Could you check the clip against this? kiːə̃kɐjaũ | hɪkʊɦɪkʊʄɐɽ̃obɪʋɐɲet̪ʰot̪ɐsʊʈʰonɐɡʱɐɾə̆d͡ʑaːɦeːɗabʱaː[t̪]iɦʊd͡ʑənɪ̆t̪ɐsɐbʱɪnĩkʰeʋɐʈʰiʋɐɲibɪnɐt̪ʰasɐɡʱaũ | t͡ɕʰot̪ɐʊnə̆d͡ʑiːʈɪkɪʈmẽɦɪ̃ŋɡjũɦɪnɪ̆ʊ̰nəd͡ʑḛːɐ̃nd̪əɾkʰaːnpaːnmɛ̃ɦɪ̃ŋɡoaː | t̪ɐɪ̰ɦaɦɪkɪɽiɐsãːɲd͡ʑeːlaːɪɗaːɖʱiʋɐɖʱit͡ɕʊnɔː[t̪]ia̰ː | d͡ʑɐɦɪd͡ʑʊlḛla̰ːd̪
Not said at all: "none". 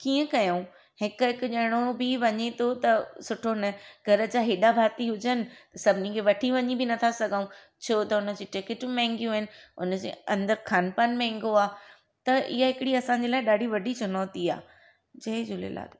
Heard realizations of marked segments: t̪, t̪

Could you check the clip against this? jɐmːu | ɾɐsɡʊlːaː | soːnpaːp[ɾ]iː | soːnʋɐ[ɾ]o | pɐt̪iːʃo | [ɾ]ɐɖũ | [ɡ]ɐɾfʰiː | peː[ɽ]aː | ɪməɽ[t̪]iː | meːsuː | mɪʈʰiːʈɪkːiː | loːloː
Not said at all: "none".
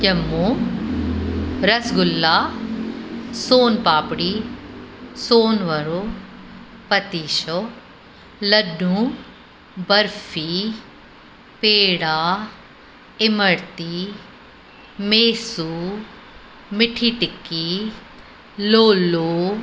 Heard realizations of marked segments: ɽ, ɾ, l, b, ɽ, t̪

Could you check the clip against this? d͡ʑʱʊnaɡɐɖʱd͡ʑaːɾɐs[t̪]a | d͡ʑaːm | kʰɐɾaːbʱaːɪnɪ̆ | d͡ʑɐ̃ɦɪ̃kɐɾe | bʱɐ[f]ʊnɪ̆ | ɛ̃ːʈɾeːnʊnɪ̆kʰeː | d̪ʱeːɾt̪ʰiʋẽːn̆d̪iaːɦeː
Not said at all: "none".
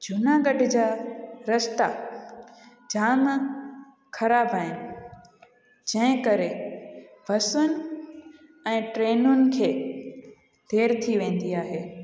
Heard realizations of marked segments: t̪, s

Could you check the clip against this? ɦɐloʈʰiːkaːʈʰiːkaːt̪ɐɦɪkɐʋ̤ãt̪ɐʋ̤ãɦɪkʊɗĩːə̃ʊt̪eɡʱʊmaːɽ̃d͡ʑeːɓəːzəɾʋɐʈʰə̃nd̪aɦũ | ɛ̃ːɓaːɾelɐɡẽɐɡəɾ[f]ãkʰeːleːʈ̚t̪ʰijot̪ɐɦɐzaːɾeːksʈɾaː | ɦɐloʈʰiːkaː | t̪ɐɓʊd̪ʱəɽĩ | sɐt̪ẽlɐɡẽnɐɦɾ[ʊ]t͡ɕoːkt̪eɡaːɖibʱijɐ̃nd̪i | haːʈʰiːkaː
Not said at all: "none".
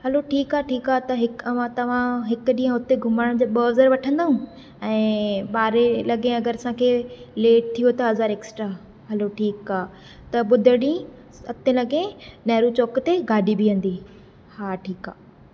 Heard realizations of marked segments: s, u

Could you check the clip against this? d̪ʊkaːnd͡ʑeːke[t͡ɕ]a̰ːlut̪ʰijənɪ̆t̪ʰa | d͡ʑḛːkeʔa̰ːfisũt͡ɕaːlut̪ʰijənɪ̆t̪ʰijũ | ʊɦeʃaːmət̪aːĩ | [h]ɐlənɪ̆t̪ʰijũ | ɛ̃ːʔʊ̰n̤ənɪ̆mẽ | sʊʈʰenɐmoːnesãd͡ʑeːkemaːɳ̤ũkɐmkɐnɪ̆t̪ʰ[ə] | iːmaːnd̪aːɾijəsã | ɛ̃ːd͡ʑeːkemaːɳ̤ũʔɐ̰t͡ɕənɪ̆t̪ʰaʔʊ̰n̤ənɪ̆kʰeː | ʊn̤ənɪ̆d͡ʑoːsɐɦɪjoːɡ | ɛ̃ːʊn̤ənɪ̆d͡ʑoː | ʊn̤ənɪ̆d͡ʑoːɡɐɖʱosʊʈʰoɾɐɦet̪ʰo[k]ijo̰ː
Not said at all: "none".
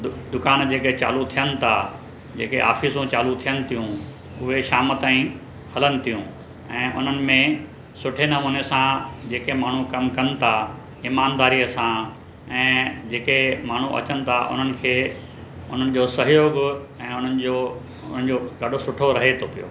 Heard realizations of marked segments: t͡ɕ, h, a, p

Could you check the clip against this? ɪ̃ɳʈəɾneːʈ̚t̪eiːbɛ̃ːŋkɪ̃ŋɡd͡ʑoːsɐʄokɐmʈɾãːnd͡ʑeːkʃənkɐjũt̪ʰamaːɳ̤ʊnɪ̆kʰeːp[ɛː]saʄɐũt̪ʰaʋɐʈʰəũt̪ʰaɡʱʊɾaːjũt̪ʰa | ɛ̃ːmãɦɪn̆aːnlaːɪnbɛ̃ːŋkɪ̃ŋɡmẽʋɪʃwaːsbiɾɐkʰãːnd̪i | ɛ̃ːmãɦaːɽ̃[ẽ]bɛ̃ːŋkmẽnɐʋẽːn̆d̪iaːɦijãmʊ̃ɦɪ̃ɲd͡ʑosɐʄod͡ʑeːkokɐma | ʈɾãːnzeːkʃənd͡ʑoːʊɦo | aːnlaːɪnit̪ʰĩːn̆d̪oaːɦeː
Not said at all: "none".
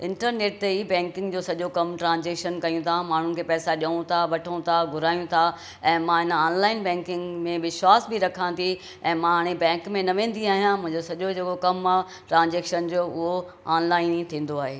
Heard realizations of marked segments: ɛː, e

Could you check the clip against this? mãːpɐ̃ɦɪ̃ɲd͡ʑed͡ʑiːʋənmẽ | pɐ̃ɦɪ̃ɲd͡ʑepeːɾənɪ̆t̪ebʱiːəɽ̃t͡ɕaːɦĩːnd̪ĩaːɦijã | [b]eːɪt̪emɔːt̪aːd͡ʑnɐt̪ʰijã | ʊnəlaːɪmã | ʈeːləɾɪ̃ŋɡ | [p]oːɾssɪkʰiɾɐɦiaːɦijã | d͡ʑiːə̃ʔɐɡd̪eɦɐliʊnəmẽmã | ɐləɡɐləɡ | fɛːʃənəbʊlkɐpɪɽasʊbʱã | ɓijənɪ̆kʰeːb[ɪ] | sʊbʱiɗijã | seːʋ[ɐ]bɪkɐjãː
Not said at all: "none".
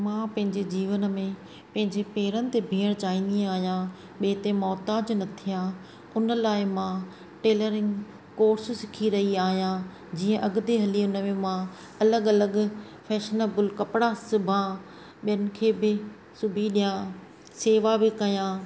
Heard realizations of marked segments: ɓ, k, ɪ, a

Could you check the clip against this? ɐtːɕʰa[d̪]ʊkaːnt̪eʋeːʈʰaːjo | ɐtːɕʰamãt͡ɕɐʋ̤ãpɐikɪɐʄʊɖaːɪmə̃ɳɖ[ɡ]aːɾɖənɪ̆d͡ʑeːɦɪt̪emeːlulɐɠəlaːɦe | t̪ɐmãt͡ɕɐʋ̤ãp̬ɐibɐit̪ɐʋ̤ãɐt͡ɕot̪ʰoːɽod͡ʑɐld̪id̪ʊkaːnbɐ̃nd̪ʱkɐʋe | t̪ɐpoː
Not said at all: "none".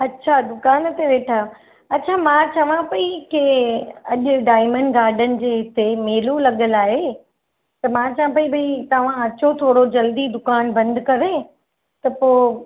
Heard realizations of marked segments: d̪, ɡ

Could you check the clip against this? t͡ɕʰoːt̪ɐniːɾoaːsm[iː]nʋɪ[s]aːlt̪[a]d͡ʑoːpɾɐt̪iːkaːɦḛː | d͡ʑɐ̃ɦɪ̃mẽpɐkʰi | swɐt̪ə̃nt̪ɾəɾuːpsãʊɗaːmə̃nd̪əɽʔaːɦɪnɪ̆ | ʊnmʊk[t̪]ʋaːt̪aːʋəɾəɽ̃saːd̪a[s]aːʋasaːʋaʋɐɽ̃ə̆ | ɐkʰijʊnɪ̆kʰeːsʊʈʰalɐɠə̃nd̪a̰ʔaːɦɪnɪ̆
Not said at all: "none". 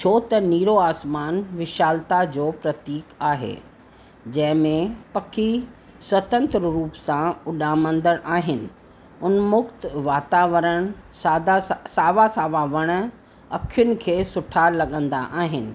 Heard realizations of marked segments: aː, ʃ, a, t̪, s

